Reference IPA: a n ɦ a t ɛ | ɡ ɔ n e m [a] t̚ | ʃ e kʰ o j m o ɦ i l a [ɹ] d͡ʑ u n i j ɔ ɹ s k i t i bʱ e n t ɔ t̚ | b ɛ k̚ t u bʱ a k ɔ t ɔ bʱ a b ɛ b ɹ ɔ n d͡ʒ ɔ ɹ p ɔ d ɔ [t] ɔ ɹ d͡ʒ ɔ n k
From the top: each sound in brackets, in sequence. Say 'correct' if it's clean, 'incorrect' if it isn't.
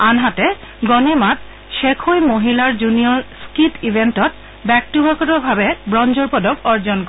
correct, correct, incorrect: k

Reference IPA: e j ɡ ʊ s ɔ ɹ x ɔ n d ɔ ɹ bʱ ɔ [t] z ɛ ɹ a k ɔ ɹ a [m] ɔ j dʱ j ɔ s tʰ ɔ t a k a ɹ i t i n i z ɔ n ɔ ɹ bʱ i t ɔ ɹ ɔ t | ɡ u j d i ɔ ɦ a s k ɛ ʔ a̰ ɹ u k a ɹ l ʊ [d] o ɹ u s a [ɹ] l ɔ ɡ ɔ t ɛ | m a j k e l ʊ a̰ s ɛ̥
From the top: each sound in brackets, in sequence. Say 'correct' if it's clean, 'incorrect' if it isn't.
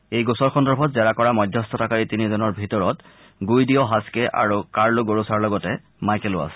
correct, correct, incorrect: ɡ, correct

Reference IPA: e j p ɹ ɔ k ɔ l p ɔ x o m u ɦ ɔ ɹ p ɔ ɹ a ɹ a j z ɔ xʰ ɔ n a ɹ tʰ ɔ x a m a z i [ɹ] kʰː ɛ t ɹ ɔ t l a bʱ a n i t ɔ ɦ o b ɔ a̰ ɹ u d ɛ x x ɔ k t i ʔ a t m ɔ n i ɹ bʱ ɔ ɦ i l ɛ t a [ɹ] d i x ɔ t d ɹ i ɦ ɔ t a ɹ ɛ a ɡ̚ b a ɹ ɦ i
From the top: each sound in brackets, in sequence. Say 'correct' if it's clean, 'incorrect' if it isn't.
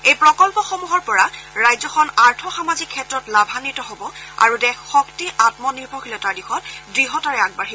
incorrect: none, correct

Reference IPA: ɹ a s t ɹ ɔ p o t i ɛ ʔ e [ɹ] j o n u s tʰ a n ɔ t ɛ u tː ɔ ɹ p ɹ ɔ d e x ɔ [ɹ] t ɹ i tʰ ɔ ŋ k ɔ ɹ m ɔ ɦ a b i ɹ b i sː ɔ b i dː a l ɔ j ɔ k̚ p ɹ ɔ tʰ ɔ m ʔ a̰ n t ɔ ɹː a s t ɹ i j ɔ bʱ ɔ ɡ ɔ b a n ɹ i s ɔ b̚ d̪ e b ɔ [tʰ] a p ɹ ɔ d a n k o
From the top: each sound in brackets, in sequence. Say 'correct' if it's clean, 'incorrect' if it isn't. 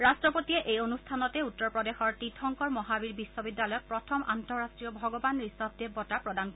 incorrect: none, correct, incorrect: t

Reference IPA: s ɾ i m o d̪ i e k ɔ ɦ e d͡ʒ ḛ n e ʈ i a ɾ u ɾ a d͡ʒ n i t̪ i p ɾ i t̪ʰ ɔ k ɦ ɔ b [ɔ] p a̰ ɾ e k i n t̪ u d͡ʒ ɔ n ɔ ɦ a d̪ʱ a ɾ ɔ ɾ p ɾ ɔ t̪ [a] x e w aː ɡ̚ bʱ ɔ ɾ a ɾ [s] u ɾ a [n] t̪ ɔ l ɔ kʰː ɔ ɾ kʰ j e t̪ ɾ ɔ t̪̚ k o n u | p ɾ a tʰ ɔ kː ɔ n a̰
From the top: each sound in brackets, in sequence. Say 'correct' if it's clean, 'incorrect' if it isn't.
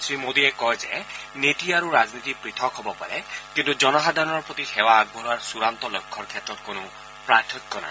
correct, incorrect: i, correct, correct

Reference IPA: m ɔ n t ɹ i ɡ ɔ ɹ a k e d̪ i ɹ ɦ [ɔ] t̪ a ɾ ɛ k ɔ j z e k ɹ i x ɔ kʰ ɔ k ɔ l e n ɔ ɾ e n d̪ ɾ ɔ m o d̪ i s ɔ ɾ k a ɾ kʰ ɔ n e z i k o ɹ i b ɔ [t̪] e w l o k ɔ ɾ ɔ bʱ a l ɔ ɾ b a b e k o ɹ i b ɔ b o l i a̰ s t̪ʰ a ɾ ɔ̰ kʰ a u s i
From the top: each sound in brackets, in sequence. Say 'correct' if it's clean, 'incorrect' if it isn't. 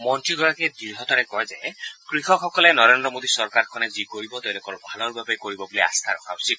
correct, correct

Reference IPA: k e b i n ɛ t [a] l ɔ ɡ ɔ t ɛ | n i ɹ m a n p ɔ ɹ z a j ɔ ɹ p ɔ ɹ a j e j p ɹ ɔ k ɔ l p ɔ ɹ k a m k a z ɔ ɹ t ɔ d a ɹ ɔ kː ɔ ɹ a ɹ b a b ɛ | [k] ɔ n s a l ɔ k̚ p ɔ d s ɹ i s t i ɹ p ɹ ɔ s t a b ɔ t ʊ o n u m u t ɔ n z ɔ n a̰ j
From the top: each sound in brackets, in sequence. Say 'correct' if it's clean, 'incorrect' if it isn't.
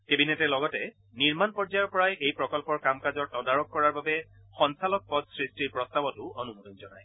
incorrect: ɛ, incorrect: x

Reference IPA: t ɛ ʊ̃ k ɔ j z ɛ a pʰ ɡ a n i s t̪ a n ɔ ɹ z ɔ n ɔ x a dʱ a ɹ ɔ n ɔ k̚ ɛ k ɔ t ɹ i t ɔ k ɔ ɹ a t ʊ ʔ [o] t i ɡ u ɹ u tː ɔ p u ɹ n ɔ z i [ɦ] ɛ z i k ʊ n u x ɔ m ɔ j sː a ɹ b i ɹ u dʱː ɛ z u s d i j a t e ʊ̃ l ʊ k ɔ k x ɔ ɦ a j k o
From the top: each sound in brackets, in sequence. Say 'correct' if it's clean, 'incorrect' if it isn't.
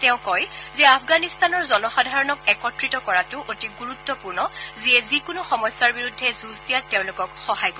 correct, incorrect: none

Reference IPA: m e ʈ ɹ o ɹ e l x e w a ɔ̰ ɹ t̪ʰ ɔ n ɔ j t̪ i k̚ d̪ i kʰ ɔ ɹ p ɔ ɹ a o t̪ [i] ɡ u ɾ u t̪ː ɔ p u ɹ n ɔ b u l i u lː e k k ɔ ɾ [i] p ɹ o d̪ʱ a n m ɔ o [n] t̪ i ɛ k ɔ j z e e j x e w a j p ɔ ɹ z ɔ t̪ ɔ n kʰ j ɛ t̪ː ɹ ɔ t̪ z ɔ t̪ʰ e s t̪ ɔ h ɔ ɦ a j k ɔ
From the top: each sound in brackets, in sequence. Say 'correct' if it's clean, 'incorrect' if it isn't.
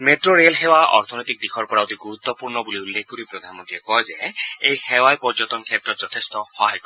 correct, correct, correct

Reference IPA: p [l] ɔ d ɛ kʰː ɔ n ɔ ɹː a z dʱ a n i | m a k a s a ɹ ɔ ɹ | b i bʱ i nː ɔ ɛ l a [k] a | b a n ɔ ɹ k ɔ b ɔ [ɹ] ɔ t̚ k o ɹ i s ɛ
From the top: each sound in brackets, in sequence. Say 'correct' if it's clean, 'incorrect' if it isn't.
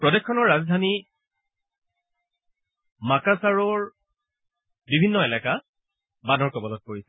incorrect: ɹ, correct, incorrect: l

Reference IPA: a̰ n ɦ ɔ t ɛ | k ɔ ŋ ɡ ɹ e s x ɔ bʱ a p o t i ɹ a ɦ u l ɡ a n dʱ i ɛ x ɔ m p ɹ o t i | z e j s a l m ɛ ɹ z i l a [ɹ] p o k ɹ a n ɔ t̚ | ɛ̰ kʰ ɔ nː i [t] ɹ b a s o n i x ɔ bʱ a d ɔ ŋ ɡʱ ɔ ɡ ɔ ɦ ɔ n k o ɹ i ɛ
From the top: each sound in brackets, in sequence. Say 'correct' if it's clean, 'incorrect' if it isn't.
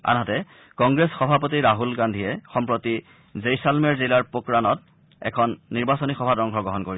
correct, incorrect: none

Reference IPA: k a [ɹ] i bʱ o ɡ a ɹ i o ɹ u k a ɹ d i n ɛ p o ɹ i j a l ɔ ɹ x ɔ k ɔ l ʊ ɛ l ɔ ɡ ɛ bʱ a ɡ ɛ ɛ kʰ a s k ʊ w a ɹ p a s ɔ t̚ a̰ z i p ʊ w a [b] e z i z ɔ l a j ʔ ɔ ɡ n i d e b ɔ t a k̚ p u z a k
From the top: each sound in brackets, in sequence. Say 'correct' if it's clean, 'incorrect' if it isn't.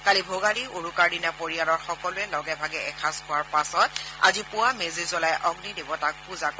incorrect: l, incorrect: m

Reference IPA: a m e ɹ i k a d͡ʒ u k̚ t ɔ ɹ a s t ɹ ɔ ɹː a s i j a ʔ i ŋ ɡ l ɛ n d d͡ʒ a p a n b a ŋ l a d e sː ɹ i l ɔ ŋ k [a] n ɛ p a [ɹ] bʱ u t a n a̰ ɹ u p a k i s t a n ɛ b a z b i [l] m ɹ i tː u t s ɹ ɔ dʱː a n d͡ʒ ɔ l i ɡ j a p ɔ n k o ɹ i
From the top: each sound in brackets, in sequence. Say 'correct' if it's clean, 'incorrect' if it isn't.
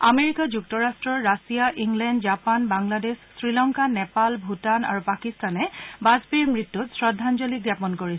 correct, incorrect: l, incorrect: ɹ

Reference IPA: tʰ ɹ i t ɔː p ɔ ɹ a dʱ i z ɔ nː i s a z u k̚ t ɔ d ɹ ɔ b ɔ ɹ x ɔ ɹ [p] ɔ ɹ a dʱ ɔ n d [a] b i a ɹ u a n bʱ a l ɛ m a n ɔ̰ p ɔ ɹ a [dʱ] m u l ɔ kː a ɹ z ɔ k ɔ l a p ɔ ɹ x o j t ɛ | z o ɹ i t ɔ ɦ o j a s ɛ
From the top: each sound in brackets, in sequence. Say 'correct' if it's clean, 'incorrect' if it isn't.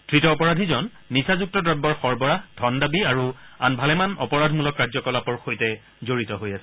incorrect: b, correct, correct

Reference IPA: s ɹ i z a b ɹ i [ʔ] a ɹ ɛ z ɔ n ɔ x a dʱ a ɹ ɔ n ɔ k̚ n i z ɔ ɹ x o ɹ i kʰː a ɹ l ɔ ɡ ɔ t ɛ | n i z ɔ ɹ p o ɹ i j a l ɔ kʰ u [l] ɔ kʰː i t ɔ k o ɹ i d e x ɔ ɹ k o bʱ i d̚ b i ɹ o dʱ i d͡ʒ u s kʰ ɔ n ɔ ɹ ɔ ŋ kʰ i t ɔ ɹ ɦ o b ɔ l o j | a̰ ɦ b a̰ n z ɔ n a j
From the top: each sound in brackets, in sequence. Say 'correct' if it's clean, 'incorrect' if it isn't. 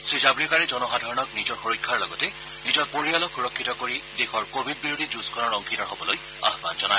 incorrect: k, incorrect: ɹ

